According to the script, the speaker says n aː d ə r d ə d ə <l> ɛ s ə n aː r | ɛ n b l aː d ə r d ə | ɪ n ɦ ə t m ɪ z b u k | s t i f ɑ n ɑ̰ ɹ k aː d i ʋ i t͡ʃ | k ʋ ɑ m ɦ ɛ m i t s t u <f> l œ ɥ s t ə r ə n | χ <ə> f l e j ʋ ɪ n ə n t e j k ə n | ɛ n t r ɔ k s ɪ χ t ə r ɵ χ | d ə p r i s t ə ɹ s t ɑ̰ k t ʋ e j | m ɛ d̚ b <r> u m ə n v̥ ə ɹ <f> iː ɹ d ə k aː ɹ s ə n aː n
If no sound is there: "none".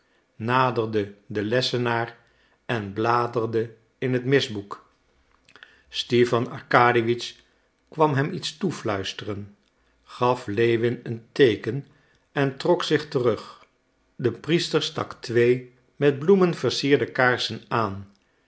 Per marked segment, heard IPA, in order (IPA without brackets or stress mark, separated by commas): l, f, ɑ, l, s